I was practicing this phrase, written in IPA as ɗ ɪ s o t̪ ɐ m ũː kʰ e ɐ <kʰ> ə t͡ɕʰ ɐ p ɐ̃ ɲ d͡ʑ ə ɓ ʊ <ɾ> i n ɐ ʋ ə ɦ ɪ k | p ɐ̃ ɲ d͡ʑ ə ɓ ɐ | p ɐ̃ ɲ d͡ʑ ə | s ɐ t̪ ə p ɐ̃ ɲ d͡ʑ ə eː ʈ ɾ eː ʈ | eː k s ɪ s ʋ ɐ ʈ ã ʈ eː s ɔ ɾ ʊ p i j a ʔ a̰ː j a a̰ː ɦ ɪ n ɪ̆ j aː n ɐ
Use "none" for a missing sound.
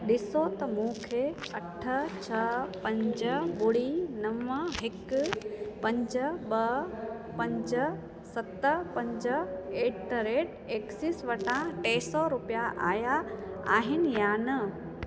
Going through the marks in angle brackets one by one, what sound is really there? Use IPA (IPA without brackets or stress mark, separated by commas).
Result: ʈʰ, ɽ